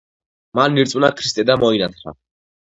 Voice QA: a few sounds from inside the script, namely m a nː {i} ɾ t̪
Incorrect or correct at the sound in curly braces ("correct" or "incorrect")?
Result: correct